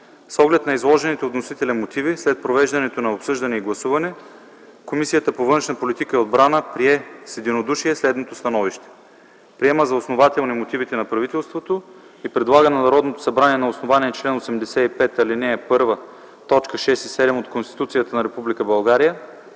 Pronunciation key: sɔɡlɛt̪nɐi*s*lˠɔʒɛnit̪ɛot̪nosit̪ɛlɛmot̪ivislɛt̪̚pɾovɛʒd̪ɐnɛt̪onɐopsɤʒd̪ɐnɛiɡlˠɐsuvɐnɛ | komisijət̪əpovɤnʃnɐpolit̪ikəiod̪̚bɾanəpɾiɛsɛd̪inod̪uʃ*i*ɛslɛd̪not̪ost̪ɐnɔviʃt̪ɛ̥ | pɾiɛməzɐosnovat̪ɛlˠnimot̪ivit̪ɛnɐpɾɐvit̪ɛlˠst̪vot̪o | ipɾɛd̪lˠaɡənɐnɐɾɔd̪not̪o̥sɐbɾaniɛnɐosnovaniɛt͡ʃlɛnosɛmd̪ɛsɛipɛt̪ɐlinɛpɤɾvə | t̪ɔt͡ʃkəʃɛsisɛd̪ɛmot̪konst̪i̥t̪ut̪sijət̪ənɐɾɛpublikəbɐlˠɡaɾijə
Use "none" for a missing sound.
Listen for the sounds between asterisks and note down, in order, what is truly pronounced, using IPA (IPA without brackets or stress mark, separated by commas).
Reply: z, i